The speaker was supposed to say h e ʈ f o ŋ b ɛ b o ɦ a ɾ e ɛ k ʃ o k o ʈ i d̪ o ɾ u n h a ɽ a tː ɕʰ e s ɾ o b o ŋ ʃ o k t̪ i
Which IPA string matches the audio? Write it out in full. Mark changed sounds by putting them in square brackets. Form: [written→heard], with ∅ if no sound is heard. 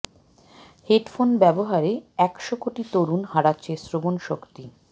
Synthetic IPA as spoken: h e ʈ f o [ŋ→n] b ɛ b o ɦ a ɾ e ɛ k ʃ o k o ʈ i [d̪→t̪] o ɾ u n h a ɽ a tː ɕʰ e s ɾ o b o [ŋ→n] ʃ o k t̪ i